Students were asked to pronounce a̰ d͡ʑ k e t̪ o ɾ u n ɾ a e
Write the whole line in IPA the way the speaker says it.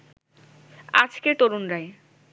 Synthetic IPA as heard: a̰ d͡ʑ k e t̪ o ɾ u n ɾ a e